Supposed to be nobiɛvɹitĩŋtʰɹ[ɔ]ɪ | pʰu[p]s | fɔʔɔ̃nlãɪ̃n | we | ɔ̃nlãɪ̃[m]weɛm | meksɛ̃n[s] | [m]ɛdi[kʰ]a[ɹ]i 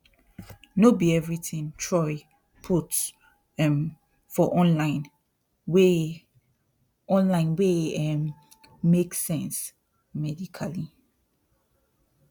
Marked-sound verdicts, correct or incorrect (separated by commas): correct, incorrect, incorrect, correct, correct, correct, incorrect